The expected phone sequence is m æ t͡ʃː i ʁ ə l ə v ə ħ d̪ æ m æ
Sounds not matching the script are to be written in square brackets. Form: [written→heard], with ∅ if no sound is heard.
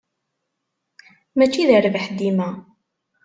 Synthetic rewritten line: m æ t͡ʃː i [ʁ→ð] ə [l→ɾ] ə v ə ħ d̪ [æ→i] m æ